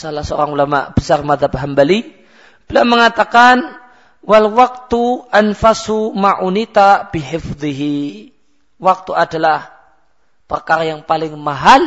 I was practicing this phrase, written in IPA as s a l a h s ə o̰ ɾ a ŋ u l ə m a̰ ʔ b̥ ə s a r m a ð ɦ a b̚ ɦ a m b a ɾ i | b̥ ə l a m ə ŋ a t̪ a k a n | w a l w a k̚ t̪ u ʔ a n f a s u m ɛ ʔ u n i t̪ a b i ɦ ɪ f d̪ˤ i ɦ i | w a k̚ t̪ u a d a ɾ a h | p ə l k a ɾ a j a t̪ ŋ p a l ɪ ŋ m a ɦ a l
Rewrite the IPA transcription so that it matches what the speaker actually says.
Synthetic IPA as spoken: s a l a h s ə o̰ ɾ a ŋ u l a m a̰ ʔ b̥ ə s a r m a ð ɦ a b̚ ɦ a m b a l i | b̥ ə l a m ə ŋ a t̪ a k a n | w a l w a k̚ t̪ u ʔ a n f a s u m a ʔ u n i t̪ a b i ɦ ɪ f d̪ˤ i ɦ i | w a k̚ t̪ u a d a l a h | p ə r k a ɾ a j a ŋ p a l ɪ ŋ m a ɦ a l